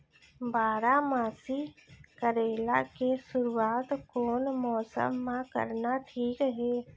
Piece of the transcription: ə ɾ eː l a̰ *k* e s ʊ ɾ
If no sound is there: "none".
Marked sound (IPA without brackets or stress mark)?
k